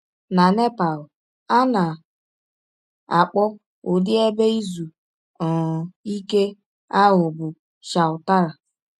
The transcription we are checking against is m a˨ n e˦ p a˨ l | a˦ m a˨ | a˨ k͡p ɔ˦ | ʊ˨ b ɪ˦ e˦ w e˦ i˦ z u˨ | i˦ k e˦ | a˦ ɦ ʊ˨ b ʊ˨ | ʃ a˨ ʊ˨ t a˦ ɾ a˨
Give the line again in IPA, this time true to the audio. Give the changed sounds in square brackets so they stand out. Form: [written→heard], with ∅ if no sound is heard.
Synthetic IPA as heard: [m→n] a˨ n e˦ p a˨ l | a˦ [m→n] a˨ | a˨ k͡p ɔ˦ | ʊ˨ [b→d] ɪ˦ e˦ [w→b] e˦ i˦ z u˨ | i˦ k e˦ | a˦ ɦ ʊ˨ b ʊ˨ | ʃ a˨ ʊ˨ t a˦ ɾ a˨